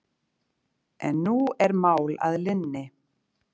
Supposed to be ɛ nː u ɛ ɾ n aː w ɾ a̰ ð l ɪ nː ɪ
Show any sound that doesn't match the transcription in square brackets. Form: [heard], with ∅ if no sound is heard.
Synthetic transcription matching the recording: ɛ nː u ɛ ɾ [m] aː w [l] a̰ ð l ɪ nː ɪ